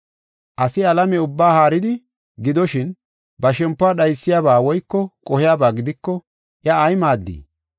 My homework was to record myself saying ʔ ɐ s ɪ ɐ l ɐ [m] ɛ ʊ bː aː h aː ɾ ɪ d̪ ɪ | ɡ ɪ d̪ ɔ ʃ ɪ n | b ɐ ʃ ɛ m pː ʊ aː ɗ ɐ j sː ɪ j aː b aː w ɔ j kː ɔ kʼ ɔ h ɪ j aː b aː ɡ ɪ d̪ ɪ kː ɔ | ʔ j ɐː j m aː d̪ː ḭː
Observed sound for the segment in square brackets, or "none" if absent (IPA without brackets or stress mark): m